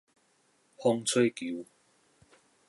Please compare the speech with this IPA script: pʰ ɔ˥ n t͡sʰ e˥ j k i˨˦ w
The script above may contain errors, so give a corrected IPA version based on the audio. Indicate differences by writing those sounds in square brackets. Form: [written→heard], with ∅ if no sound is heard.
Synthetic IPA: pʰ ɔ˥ [n→ŋ] t͡sʰ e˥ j k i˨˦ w